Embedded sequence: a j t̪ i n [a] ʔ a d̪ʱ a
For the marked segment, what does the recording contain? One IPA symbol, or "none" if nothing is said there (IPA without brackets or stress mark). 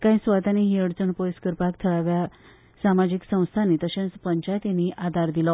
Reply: i